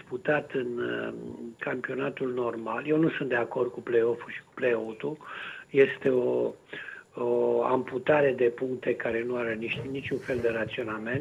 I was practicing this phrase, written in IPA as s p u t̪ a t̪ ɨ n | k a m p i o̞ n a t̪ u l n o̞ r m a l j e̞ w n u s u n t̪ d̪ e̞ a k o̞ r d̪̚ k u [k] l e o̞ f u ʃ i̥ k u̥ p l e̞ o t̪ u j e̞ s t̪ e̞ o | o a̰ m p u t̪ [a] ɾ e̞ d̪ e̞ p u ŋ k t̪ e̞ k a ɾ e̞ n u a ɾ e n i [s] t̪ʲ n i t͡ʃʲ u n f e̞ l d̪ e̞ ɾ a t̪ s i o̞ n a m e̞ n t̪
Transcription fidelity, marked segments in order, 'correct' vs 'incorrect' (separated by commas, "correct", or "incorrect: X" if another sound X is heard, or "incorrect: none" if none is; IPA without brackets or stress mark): incorrect: p, correct, incorrect: ʃ